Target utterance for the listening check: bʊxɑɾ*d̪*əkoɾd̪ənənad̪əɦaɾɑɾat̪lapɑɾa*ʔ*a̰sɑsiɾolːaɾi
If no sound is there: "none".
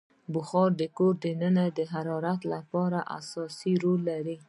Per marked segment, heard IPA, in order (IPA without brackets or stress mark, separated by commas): d̪, ʔ